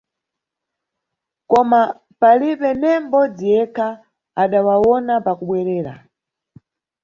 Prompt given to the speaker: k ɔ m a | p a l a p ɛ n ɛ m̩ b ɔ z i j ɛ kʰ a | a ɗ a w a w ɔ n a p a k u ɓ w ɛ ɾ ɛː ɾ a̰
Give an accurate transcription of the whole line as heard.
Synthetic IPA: k ɔ m a | p a l i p ɛ n ɛ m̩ b ɔ d͡z i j ɛ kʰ a | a ɗ a w a w ɔ n a p a k u ɓ w ɛ ɾ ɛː ɾ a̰